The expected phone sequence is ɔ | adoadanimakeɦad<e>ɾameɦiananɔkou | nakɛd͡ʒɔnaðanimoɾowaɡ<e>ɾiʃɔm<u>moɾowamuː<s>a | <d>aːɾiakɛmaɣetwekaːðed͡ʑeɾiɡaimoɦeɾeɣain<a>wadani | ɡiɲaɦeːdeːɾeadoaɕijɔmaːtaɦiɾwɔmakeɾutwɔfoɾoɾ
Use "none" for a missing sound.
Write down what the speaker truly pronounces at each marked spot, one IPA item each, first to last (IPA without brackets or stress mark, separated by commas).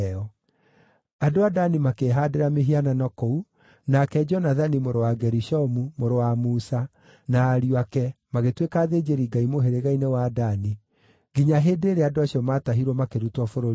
e, ɛ, u, s, n, e